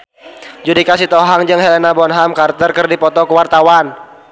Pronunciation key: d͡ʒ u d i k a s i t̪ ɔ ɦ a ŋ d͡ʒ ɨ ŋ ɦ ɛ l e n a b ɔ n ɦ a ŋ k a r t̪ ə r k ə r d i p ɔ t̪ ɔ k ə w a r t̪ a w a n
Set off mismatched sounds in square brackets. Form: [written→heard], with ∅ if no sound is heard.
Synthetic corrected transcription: d͡ʒ u d i k a s i t̪ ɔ ɦ a ŋ d͡ʒ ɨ ŋ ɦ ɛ l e n a b ɔ n ɦ a [ŋ→m] k a r t̪ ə r k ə r d i p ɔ t̪ ɔ k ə w a r t̪ a w a n